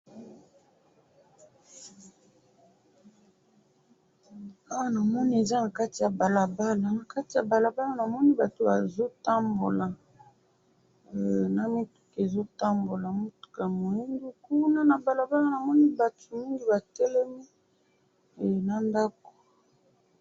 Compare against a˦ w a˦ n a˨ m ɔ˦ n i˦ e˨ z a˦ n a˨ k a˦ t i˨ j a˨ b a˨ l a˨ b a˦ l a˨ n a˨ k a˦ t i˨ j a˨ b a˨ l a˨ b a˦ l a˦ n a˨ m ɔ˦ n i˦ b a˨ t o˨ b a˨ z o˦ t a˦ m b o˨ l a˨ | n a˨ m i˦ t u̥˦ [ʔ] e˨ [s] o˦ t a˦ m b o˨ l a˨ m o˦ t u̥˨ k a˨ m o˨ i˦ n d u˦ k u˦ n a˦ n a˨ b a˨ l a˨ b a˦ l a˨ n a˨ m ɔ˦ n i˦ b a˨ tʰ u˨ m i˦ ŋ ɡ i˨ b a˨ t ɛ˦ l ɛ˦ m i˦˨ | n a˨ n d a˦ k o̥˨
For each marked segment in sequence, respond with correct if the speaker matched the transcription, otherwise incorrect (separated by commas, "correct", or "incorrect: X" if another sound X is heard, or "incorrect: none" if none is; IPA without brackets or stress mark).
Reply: incorrect: k, incorrect: z